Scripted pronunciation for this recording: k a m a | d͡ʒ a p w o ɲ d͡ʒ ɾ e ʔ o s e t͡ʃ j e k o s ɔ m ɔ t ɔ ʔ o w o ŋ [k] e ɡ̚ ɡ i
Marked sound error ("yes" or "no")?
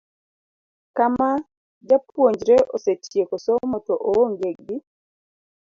yes